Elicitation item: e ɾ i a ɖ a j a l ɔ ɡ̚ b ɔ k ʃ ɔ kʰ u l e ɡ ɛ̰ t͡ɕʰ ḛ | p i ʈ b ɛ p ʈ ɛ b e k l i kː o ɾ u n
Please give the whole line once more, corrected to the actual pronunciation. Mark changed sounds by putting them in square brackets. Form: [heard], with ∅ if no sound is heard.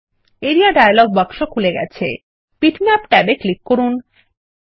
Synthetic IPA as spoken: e ɾ i a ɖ a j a l ɔ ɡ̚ b ɔ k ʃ [o] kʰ u l e ɡ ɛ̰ t͡ɕʰ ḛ | p i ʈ [m] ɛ p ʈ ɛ b e k l i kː o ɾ u n